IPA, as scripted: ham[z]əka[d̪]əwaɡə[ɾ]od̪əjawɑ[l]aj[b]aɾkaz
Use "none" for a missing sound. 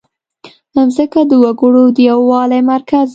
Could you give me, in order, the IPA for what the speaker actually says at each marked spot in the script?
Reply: z, d̪, ɽ, l, m

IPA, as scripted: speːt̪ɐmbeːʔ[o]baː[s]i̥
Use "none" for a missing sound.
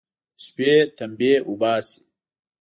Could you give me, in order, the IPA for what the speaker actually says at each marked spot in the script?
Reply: u, s

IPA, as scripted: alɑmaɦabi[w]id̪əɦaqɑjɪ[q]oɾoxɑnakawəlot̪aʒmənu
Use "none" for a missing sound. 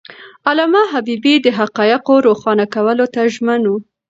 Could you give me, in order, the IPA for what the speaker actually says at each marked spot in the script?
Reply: b, q

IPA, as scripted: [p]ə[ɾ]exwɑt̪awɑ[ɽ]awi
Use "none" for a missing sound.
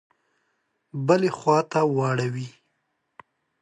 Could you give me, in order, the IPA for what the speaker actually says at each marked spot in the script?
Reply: b, l, ɽ

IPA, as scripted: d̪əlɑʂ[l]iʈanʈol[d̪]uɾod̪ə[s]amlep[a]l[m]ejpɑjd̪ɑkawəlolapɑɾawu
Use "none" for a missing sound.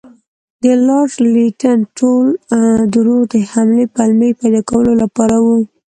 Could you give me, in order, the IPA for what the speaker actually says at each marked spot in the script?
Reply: l, d̪, h, a, m

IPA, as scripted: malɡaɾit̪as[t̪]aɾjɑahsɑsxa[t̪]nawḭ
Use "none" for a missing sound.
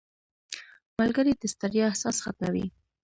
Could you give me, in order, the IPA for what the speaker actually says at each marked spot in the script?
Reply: t̪, t̪

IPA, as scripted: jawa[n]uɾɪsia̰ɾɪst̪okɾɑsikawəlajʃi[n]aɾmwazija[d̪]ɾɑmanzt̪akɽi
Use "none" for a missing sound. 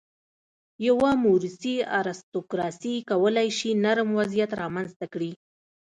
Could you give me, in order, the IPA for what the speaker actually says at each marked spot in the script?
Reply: m, n, t̪

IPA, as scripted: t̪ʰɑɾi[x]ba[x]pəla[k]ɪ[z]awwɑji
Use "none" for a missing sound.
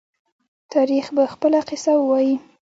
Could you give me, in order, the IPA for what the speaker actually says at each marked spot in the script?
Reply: x, x, q, s

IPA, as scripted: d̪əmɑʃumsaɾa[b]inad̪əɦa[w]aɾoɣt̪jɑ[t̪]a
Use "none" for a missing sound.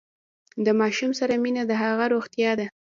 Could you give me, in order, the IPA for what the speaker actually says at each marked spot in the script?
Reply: m, ɣ, d̪

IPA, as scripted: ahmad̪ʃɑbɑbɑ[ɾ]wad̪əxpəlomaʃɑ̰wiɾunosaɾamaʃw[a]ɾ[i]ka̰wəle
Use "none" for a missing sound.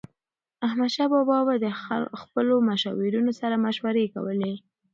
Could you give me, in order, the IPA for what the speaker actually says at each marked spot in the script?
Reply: none, a, e

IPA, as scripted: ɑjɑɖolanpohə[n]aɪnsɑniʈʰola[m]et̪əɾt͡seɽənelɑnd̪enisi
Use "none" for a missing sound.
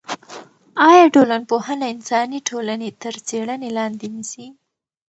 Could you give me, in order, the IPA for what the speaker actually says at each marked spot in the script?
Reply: n, n

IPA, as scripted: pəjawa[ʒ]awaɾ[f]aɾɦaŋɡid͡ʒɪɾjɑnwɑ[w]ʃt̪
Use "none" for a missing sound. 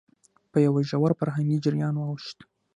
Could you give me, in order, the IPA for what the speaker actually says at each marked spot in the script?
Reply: ʒ, f, w

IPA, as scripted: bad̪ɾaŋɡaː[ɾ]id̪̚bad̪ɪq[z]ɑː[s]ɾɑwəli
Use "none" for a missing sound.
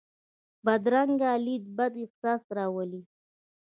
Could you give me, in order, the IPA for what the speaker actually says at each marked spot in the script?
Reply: l, s, s

